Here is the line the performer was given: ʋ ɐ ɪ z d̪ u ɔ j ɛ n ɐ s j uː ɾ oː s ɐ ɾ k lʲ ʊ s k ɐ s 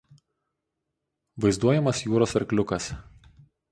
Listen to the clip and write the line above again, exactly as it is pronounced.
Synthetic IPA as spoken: ʋ ɐ ɪ z d̪ u ɔ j ɛ m ɐ s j uː ɾ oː s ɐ ɾ k lʲ ʊ k ɐ s